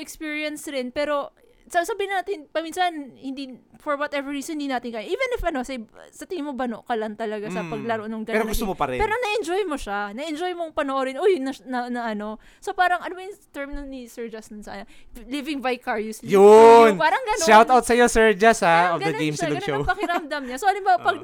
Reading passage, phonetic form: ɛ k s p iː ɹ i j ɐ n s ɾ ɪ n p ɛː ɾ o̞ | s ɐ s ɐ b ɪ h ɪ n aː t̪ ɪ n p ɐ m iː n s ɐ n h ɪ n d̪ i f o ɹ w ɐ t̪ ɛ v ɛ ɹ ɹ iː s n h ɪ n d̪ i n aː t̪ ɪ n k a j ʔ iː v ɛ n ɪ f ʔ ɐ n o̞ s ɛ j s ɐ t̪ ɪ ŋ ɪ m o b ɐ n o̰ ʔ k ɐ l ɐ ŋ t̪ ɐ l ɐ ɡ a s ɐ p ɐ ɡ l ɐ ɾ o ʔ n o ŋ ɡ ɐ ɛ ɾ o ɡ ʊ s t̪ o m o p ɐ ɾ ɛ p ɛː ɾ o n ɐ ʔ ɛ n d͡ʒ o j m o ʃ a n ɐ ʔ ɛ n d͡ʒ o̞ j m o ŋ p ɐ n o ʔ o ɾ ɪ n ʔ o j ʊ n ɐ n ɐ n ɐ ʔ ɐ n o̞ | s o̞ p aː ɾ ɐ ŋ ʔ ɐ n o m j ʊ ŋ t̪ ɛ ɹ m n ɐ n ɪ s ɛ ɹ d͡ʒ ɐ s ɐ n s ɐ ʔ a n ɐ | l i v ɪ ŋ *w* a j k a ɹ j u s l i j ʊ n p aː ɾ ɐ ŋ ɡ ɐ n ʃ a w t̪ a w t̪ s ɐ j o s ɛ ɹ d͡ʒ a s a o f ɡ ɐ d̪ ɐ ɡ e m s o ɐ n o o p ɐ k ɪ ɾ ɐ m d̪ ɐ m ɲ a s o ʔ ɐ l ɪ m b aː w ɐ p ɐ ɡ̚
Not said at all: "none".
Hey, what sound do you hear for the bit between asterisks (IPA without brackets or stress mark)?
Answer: v